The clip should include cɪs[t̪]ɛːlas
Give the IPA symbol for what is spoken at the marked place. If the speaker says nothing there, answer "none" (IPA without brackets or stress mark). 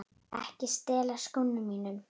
t̪